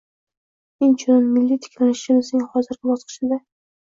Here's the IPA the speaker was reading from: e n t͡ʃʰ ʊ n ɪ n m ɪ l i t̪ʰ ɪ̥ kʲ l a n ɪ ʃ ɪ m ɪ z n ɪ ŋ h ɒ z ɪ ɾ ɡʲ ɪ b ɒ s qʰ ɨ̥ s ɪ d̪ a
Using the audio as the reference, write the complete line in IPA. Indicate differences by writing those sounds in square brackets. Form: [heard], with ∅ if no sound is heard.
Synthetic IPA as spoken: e n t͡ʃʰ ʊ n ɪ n m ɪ [lː] i t̪ʰ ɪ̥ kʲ l a n ɪ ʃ ɪ m ɪ z n ɪ ŋ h ɒ z ɪ ɾ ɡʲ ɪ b ɒ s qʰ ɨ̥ [ʃ] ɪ d̪ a